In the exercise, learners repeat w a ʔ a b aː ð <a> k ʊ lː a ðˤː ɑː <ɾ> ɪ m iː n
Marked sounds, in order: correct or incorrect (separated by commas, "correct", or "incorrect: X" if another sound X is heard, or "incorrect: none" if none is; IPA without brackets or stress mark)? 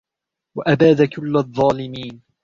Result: correct, incorrect: l